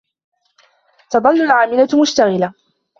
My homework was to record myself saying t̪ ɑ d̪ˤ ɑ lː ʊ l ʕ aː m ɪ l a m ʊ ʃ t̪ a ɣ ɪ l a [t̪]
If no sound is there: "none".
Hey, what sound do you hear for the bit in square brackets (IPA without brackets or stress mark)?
none